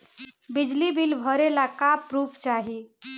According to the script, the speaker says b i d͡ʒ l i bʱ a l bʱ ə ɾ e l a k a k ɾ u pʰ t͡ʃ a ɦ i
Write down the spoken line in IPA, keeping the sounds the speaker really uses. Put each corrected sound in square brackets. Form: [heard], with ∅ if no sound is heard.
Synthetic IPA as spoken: b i d͡ʒ l i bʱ [i] l bʱ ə ɾ e l a k a [p] ɾ u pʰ t͡ʃ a ɦ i